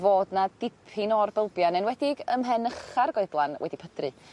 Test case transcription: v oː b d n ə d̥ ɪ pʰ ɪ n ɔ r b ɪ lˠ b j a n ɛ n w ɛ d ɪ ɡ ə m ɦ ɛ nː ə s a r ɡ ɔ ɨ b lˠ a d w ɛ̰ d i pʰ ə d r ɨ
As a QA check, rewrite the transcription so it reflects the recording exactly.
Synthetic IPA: v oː d n a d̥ ɪ pʰ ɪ n ɔ r b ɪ lˠ b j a n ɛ n w ɛ d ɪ ɡ ə m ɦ ɛ n ə χ a r ɡ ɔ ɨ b lˠ a n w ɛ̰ d i pʰ ə d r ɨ